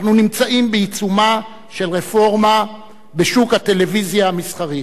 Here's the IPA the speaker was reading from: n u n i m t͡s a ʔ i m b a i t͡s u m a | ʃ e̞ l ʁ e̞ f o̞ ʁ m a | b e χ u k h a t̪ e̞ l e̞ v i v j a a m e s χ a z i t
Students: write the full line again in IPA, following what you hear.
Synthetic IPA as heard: n u n i m t͡s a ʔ i m b e i t͡s u m a | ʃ e̞ l ʁ e̞ f o̞ ʁ m a | b e ʃ u k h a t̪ e̞ l e̞ v i z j a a m i s χ a ʁ i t